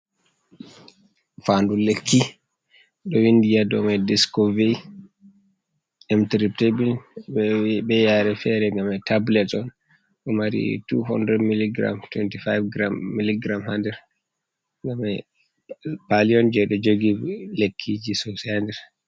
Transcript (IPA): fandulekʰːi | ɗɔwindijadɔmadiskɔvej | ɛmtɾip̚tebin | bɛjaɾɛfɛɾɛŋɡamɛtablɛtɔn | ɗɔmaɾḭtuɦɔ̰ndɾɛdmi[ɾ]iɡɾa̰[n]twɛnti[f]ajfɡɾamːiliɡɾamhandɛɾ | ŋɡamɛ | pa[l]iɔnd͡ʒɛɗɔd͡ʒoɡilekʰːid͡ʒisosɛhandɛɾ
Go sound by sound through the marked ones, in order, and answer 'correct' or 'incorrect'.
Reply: incorrect, incorrect, correct, correct

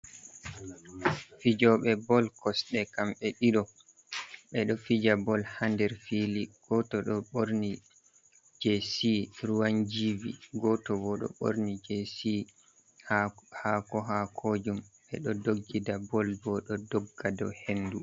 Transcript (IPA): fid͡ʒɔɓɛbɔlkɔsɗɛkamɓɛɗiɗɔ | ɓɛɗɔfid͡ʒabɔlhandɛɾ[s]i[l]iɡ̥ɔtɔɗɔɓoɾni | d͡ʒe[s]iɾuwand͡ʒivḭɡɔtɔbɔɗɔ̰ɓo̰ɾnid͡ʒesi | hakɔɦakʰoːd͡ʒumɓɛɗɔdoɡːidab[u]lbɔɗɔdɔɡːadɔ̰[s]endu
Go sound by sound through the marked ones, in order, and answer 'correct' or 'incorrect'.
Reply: incorrect, correct, correct, incorrect, incorrect

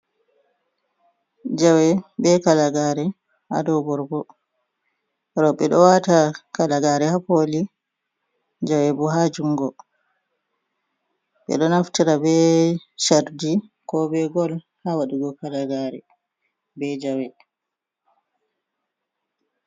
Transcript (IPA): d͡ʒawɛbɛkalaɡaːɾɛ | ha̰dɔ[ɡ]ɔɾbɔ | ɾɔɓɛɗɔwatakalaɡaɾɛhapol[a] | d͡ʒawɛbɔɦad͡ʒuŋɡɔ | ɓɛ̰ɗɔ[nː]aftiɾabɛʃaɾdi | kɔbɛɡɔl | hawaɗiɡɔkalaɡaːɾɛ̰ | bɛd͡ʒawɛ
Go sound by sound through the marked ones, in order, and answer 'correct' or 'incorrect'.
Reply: incorrect, incorrect, incorrect

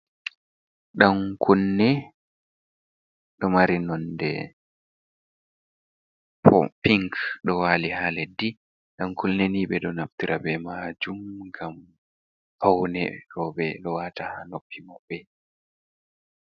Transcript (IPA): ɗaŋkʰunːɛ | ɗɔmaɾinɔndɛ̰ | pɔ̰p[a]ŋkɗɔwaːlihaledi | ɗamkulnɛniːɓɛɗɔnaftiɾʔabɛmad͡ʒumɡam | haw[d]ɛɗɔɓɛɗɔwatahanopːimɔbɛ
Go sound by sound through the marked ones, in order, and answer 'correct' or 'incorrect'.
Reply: incorrect, incorrect

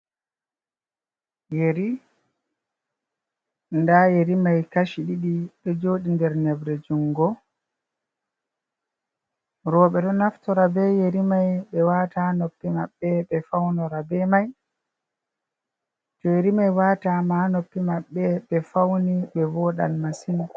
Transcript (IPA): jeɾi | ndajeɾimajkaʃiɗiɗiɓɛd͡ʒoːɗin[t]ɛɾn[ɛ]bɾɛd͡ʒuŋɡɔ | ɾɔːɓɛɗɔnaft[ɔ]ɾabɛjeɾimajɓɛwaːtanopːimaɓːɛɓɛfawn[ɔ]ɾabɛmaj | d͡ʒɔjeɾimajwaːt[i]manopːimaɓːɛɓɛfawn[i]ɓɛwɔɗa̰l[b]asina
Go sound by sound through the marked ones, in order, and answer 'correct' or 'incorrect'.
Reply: incorrect, correct, correct, correct, incorrect, correct, incorrect

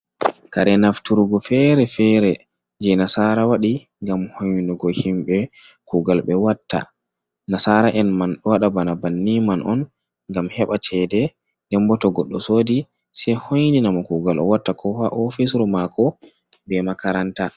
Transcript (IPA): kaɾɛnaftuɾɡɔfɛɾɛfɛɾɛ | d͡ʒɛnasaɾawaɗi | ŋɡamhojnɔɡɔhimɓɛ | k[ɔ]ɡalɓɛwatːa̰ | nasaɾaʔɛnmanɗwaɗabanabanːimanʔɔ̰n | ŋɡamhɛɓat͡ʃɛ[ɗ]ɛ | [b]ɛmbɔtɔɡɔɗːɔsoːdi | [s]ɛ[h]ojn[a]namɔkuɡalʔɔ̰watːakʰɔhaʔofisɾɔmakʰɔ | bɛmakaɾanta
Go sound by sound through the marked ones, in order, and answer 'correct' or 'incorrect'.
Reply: incorrect, incorrect, incorrect, correct, correct, incorrect

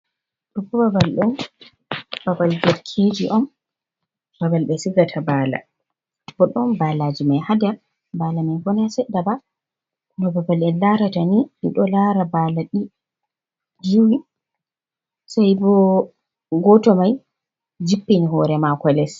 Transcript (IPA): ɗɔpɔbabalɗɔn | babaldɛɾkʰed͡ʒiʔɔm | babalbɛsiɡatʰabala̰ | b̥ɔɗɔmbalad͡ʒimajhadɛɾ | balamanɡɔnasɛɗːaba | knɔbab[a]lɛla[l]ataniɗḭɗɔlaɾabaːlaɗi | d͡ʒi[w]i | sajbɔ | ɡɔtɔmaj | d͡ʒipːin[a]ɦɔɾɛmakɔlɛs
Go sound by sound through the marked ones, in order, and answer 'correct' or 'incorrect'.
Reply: correct, incorrect, correct, incorrect

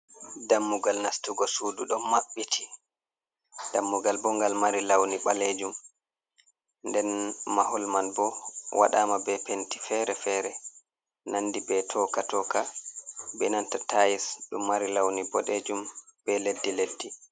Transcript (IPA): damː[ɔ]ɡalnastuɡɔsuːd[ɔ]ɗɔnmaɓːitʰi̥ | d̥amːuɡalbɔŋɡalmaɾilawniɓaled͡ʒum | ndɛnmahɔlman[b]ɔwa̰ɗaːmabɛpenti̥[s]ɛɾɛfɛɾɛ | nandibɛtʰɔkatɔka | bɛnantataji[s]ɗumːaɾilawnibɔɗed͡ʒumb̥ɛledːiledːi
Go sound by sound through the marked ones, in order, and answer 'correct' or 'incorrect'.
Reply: incorrect, incorrect, correct, incorrect, correct

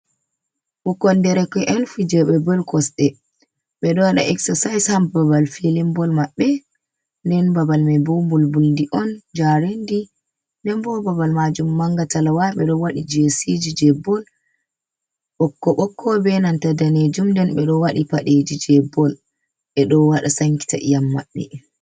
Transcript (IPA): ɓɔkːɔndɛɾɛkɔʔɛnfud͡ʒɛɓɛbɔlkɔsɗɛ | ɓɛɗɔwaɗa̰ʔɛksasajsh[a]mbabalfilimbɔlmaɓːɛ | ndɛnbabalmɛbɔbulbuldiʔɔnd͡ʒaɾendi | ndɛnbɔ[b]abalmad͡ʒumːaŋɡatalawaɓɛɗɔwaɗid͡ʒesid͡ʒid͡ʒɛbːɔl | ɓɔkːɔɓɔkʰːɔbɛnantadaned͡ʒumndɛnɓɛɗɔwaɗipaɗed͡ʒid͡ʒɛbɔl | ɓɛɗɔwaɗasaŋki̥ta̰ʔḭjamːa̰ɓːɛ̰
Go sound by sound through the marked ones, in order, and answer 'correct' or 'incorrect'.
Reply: correct, correct

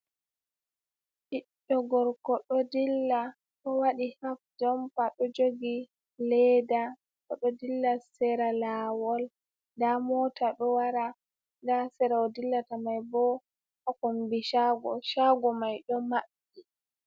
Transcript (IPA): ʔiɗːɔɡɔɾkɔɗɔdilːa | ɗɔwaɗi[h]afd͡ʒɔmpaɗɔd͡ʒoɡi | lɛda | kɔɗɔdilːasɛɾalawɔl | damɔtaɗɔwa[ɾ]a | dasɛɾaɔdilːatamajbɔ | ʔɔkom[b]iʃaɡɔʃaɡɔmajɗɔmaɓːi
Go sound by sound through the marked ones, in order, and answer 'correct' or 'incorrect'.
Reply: correct, correct, correct

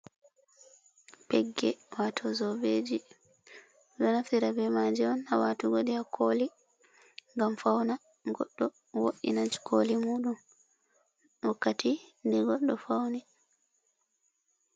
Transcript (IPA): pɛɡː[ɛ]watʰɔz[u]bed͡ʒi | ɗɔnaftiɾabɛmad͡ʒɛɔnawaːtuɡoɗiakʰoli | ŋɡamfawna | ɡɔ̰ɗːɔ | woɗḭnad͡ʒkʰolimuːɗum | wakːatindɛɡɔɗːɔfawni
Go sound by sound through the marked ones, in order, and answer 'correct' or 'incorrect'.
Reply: correct, incorrect

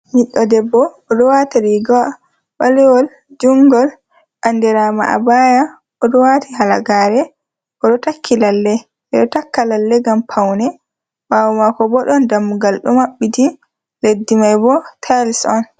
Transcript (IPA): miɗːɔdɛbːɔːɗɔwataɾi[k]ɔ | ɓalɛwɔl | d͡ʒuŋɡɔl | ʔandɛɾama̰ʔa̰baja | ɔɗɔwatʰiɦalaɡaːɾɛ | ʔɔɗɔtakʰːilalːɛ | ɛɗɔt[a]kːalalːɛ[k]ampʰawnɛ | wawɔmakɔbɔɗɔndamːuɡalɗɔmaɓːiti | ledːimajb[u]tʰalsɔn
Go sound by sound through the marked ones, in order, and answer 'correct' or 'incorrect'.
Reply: incorrect, correct, incorrect, incorrect

